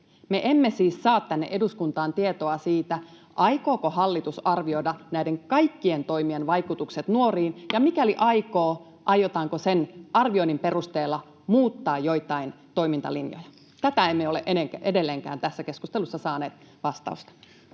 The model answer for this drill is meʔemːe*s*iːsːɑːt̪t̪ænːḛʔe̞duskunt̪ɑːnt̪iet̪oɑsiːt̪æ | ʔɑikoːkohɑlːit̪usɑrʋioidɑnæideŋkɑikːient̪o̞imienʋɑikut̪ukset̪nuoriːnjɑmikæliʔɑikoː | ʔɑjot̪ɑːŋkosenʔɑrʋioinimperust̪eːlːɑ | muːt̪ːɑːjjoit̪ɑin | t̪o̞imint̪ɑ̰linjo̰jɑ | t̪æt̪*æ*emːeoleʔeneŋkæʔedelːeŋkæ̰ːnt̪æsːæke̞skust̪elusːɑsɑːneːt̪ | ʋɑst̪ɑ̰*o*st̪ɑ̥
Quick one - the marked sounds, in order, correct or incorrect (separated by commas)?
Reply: correct, correct, incorrect